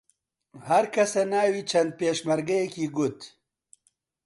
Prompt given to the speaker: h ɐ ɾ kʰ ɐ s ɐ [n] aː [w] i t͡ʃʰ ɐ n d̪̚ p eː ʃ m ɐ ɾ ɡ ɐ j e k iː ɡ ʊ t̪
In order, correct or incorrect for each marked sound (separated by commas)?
correct, correct